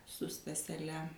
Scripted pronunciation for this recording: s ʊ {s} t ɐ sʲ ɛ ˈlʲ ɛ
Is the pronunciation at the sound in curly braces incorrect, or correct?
correct